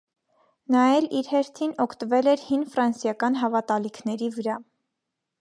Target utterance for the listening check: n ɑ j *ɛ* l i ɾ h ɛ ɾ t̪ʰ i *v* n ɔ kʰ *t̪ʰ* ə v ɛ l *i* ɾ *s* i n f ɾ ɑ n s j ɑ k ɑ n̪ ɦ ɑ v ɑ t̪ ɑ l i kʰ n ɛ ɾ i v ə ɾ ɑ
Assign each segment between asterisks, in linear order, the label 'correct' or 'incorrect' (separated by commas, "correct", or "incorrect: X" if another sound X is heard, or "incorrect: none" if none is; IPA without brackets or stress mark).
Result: correct, incorrect: none, incorrect: t̪, incorrect: ɛ, incorrect: h